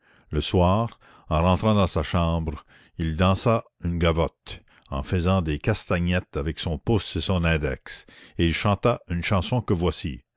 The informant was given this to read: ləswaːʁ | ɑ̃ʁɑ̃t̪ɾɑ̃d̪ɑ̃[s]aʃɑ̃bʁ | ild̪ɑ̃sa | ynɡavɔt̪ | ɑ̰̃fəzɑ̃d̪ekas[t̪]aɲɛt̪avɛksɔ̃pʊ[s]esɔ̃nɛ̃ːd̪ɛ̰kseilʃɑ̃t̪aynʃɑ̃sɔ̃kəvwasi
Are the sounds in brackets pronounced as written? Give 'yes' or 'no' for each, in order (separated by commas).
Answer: yes, yes, yes